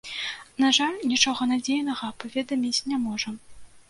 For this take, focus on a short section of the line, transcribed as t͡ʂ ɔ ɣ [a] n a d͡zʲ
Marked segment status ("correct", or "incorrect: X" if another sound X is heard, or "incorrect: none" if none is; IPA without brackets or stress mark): incorrect: ɐ